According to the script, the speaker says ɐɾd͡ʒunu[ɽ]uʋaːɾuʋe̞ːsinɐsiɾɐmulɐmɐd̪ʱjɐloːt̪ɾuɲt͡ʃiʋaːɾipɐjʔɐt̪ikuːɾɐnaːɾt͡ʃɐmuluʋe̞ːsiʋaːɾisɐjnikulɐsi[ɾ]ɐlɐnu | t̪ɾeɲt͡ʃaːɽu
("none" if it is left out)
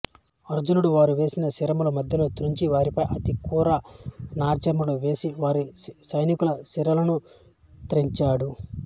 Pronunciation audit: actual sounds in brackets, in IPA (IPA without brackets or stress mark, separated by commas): ɽ, ɾ